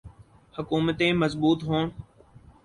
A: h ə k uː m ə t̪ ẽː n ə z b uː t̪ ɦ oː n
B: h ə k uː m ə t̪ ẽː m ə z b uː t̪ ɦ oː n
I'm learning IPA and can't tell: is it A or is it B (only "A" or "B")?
B